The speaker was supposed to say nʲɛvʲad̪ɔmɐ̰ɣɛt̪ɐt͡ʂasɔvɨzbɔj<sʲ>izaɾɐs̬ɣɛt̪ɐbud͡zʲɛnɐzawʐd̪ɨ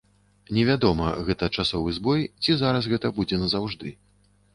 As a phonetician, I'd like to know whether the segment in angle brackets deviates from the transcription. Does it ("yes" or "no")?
yes